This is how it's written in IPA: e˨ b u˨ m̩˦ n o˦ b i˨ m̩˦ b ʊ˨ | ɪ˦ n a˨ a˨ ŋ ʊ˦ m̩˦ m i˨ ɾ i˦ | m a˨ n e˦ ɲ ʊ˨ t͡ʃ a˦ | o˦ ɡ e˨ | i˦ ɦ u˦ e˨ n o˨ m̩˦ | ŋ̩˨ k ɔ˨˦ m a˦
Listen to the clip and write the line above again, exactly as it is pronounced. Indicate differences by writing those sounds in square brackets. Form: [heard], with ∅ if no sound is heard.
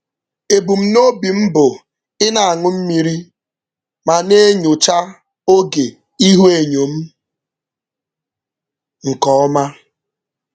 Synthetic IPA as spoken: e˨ b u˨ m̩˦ n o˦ b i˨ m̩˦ b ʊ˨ | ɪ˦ n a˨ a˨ ŋ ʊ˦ m̩˦ m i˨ ɾ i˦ | m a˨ n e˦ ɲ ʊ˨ t͡ʃ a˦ | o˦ ɡ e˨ | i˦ ɦ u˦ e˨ [ɲ] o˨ m̩˦ | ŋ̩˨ k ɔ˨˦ m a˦